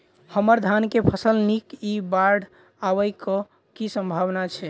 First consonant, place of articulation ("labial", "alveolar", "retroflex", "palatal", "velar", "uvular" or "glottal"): glottal